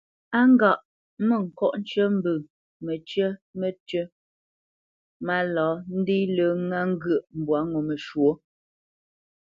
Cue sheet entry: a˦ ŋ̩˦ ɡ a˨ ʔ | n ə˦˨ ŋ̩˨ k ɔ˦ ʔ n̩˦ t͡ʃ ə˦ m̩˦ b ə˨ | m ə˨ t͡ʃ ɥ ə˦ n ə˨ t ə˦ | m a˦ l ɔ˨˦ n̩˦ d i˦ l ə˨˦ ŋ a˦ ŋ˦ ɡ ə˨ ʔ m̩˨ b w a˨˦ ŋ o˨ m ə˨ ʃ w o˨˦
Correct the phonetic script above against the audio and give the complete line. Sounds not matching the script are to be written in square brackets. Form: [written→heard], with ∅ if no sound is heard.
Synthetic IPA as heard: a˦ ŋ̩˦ ɡ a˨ ʔ | [n→m] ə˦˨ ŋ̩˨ k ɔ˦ ʔ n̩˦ t͡ʃ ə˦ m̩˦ b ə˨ | m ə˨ t͡ʃ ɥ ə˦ [n→m] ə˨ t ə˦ | m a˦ l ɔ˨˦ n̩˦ d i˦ l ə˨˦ ŋ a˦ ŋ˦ ɡ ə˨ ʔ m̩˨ b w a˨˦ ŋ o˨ m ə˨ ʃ w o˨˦